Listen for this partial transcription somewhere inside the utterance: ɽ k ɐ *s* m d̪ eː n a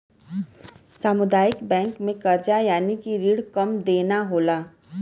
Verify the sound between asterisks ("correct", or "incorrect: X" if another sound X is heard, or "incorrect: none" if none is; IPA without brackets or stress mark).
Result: incorrect: none